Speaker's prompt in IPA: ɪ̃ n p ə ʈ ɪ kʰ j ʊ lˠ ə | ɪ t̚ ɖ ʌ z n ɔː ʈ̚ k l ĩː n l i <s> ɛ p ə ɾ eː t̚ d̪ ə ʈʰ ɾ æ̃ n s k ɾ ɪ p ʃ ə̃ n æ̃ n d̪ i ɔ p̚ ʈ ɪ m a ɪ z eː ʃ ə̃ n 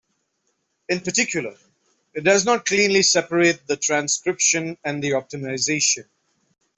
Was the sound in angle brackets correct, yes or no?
yes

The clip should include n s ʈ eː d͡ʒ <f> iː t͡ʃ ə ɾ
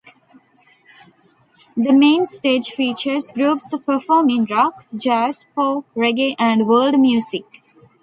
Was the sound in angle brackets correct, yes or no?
yes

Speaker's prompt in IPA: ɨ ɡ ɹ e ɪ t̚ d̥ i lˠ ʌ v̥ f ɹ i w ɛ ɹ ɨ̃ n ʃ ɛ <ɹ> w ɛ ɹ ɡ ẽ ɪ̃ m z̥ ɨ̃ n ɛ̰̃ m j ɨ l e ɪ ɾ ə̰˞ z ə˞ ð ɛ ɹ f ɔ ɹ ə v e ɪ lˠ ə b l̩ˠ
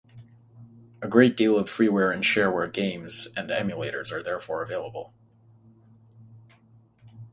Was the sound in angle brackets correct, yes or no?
yes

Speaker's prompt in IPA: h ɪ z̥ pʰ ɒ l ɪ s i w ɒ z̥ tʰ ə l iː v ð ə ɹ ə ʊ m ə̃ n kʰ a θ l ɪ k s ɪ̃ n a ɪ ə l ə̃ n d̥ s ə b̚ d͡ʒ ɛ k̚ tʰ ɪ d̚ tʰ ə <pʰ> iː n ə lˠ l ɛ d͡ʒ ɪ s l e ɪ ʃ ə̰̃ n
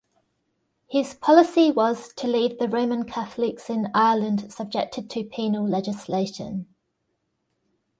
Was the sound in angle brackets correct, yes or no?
yes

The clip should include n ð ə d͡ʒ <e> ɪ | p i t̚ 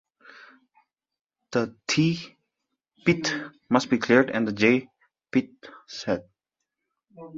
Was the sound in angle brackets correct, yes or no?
yes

